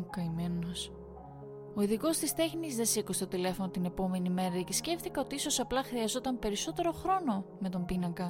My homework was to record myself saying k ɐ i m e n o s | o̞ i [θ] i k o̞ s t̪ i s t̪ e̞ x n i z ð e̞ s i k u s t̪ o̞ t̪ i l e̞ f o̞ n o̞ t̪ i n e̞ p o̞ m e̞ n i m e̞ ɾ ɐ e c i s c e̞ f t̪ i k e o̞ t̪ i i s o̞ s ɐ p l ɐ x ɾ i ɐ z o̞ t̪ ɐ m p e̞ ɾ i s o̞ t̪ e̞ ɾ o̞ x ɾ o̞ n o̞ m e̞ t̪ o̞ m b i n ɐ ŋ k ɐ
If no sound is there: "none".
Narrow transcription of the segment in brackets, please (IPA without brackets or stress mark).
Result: ð